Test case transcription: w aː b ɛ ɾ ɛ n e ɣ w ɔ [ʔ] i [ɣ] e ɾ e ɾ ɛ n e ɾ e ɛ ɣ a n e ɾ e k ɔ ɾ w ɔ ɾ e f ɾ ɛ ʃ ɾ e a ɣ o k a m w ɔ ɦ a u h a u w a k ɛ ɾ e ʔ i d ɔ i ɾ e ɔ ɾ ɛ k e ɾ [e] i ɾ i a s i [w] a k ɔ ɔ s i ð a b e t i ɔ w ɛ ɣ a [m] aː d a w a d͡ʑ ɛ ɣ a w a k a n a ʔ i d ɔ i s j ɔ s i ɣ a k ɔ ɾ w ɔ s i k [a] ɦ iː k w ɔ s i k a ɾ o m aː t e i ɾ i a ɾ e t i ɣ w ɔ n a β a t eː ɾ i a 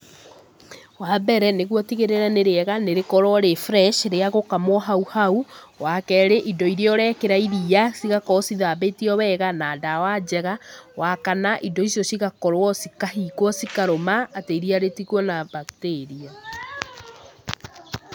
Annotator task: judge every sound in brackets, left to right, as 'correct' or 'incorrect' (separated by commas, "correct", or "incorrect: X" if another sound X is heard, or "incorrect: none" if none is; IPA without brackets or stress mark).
incorrect: t, correct, incorrect: a, incorrect: ɣ, incorrect: n, correct